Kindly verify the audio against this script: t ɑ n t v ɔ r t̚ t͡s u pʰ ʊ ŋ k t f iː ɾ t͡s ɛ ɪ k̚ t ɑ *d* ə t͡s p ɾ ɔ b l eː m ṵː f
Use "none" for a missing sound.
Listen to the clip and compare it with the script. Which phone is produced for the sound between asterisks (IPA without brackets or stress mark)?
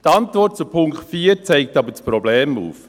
b